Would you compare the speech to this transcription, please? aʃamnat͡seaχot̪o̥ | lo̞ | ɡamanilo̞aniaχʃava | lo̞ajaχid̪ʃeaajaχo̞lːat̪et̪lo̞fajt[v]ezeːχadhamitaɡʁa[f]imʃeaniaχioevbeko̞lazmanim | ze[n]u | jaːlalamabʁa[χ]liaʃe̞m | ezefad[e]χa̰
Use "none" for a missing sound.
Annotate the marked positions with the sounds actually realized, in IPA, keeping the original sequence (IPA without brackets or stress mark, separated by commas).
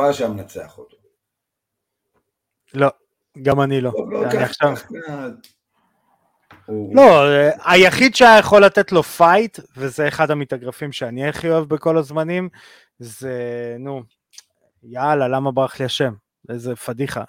v, f, n, χ, i